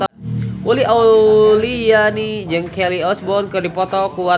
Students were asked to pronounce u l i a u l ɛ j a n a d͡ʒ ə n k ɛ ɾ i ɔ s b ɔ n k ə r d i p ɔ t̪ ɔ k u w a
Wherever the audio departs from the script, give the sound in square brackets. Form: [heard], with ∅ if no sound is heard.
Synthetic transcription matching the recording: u l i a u l [i] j a n [i] d͡ʒ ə [ŋ] k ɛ [l] i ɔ s b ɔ n k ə r d i p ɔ t̪ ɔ k u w a

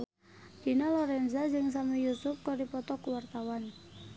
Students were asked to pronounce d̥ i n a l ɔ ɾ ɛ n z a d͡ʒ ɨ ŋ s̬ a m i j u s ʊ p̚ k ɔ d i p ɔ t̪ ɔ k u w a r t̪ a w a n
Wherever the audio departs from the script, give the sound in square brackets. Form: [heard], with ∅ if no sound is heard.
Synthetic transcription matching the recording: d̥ i n a l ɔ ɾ ɛ n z a d͡ʒ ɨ ŋ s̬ a m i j u s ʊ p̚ k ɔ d i p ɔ t̪ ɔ k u w a r t̪ a w a n

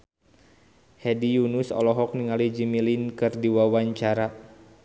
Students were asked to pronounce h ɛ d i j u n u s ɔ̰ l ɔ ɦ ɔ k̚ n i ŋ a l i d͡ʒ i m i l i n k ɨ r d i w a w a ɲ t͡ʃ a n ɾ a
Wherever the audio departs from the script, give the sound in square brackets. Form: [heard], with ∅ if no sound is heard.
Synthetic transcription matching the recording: h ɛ d i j u n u s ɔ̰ l ɔ ɦ ɔ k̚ n i ŋ a l i d͡ʒ i m i l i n k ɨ r d i w a w a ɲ t͡ʃ a [∅] ɾ a

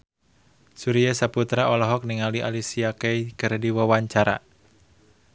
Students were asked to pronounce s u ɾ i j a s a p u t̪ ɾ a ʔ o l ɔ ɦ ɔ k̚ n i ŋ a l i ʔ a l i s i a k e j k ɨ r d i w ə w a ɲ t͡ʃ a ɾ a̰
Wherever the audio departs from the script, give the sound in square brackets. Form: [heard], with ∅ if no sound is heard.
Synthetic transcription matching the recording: s u ɾ i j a s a p u t̪ ɾ a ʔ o l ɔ ɦ ɔ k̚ n i ŋ a l i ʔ a l i s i a k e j k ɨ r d i w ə w a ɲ t͡ʃ a ɾ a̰

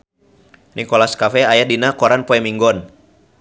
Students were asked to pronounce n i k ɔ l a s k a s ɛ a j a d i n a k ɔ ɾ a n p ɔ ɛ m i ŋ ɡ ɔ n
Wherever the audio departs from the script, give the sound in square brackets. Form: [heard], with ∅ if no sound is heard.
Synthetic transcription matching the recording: n i k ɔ l a s k a [f] ɛ a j a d i n a k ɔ ɾ a n p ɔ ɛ m i ŋ ɡ ɔ n

